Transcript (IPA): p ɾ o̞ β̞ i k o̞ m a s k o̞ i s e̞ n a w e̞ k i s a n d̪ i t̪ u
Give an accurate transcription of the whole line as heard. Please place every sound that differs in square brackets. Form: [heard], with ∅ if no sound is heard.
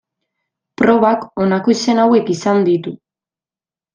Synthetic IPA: p ɾ o̞ β̞ [a] k o̞ [n] a [∅] k o̞ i s e̞ n a w e̞ k i s a n d̪ i t̪ u